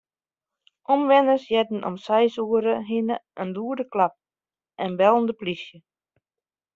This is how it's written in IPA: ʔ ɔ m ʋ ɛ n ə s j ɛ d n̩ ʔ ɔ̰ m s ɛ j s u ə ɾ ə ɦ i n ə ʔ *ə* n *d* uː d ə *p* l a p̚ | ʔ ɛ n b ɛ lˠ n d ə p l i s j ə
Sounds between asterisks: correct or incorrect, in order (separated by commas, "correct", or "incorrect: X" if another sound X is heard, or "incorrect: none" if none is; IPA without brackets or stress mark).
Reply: correct, correct, incorrect: k